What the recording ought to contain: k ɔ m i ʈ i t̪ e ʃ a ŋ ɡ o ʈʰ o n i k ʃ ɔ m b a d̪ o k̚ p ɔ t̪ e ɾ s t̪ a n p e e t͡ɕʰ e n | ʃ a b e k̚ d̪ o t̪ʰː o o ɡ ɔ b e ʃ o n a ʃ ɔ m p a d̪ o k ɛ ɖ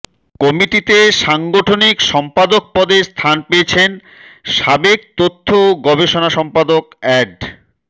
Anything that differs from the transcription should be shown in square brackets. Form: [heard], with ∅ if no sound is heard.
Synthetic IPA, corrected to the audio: k ɔ m i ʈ i t̪ e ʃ a ŋ ɡ o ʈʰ o n i k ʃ ɔ m [p] a d̪ o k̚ p ɔ [d̪] e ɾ s [t̪ʰ] a n p e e t͡ɕʰ e n | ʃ a b e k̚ [t̪] o t̪ʰː o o ɡ ɔ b e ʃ o n a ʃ ɔ m p a d̪ o k ɛ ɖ